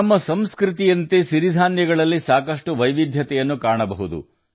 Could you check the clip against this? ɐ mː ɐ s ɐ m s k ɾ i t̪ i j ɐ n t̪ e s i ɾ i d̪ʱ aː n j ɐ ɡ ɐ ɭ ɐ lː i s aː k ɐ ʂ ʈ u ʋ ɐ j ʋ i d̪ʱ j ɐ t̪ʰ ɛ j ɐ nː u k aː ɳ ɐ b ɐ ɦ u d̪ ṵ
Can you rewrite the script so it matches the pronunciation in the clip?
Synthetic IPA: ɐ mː ɐ s ɐ m s k ɾ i t̪ i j ɐ n t̪ e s i ɾ i d̪ʱ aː n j ɐ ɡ ɐ ɭ ɐ lː i s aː k ɐ ʂ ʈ u ʋ ɐ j ʋ i d̪ʱ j ɐ t̪ ɛ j ɐ nː u k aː ɳ ɐ b ɐ ɦ u d̪ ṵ

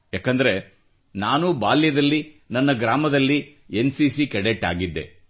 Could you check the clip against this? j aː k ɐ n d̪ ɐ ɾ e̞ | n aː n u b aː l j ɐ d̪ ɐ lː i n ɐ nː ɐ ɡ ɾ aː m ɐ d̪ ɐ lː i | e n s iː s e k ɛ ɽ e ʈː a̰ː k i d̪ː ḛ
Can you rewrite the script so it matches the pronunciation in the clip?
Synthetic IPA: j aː k ɐ n d̪ ɐ ɾ e̞ | n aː n u b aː l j ɐ d̪ ɐ lː i n ɐ nː ɐ ɡ ɾ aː m ɐ d̪ ɐ lː i | e n s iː s i k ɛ ɽ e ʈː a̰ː ɡ i d̪ː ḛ

